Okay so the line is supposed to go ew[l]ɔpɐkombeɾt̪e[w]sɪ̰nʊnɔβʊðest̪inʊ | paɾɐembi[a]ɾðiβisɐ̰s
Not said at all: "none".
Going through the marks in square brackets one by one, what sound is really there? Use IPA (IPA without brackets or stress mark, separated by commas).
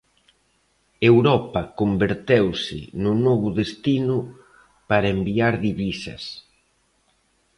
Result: ɾ, w, a